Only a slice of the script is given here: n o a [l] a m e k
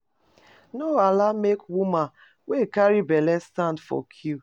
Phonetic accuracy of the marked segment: correct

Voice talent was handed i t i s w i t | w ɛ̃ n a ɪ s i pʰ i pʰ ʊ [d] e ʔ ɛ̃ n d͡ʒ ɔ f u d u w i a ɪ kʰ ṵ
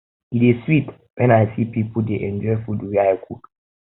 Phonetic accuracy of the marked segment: correct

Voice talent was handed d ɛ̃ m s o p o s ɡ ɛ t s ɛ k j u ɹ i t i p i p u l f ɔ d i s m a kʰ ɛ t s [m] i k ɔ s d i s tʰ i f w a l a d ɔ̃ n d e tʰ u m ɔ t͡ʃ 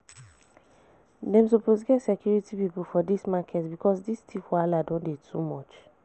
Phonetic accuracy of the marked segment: incorrect: b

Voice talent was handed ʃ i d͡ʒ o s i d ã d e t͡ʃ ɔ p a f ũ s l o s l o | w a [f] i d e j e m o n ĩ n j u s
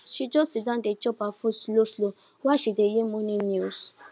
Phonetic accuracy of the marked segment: incorrect: ʃ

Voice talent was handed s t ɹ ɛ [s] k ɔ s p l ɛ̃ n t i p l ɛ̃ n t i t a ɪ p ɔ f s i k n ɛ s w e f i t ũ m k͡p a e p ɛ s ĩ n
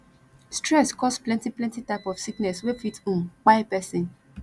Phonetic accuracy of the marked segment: correct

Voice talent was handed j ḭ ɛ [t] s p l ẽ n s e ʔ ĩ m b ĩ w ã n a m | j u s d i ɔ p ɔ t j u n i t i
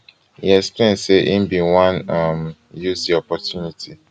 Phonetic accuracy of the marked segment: incorrect: k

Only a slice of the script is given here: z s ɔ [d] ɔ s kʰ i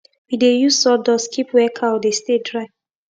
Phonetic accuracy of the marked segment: correct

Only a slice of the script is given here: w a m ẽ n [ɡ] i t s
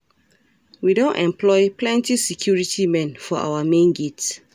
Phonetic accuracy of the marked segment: correct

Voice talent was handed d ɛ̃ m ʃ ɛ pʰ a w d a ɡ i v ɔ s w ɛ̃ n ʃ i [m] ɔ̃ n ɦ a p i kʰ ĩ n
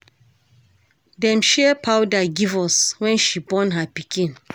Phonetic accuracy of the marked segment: incorrect: b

